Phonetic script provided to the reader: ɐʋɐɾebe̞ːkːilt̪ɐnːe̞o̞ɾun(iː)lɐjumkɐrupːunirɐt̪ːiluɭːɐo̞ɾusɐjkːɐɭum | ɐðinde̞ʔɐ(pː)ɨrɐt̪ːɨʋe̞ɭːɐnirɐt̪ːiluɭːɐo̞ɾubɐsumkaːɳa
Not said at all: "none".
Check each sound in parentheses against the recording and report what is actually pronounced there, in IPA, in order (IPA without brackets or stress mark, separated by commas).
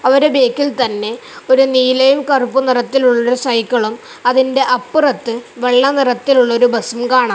iː, pː